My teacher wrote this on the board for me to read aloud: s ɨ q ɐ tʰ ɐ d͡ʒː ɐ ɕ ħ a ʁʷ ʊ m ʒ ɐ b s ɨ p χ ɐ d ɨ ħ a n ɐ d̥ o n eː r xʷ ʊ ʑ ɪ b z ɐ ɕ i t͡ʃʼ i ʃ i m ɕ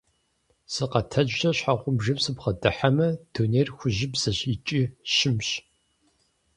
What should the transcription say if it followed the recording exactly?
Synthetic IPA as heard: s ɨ q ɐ tʰ ɐ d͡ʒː ɐ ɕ ħ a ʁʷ ʊ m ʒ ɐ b s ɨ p χ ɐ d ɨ ħ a m ɐ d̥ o n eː r xʷ ʊ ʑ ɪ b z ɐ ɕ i t͡ʃʼ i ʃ ɪ m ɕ